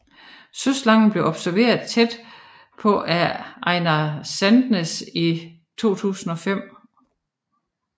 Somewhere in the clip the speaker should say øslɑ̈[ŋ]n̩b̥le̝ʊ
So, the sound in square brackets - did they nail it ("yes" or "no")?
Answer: yes